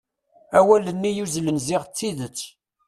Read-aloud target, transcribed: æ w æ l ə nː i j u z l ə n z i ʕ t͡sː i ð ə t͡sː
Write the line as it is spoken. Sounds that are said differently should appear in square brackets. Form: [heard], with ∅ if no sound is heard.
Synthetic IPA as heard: æ w æ l ə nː i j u z l ə n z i [ʁ] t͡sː i ð ə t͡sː